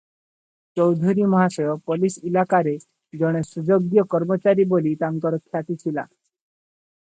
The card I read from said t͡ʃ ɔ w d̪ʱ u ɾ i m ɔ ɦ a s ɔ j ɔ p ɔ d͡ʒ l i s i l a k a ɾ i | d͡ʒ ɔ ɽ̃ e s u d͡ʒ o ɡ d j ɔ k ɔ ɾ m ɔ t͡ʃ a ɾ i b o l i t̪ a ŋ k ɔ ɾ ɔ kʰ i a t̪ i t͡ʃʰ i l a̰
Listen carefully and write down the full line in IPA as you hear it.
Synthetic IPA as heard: t͡ʃ ɔ w d̪ʱ u ɾ i m ɔ ɦ a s ɔ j ɔ p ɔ l i s i l a k a ɾ e | d͡ʒ ɔ ɽ̃ e s u d͡ʒ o ɡ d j ɔ k ɔ ɾ m ɔ t͡ʃ a ɾ i b o l i t̪ a ŋ k ɔ ɾ ɔ kʰ j a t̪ i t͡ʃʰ i l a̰

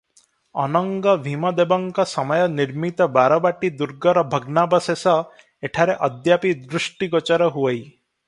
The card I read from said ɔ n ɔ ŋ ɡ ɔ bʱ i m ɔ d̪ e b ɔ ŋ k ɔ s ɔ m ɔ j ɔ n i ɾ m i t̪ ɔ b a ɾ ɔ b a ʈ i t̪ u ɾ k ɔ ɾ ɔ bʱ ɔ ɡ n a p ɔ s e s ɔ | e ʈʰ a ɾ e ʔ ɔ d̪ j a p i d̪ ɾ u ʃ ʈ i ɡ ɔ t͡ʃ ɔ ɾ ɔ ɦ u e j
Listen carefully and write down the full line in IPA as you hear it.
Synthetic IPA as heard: ɔ n ɔ ŋ ɡ ɔ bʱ i m ɔ d̪ e b ɔ ŋ k ɔ s ɔ m ɔ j ɔ n i ɾ m i t̪ ɔ b a ɾ ɔ b a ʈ i d̪ u ɾ ɡ ɔ ɾ ɔ bʱ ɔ ɡ n a b ɔ s e s ɔ | e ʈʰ a ɾ e ʔ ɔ d̪ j a p i d̪ ɾ u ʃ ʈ i ɡ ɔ t͡ʃ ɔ ɾ ɔ ɦ u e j

